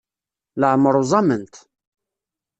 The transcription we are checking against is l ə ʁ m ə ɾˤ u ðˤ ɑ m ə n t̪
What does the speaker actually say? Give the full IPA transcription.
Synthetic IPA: l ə ʕ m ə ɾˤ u zˤ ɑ m ə n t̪